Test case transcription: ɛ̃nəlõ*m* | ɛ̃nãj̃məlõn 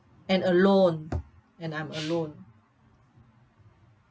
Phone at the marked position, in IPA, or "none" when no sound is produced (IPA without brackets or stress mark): n